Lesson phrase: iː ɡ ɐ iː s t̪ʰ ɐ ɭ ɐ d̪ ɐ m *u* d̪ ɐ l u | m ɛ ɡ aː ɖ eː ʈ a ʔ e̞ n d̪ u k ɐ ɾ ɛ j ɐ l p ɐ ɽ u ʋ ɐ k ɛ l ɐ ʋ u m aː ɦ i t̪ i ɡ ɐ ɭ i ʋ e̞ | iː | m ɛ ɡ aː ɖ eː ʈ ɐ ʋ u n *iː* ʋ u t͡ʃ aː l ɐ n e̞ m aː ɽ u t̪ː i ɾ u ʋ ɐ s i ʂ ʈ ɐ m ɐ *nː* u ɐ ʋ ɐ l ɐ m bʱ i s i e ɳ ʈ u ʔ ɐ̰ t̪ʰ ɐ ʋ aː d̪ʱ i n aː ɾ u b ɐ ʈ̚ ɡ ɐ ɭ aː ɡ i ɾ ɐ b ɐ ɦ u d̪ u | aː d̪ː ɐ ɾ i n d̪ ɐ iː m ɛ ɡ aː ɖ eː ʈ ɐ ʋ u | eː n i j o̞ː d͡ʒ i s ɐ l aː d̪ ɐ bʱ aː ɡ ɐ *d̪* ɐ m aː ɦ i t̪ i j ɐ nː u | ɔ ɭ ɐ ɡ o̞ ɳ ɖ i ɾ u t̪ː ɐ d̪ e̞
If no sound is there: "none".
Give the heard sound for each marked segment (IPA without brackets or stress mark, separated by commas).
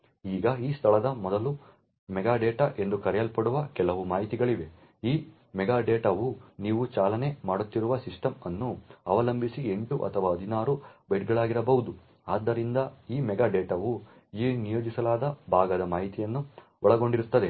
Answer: ɔ, iː, nː, d̪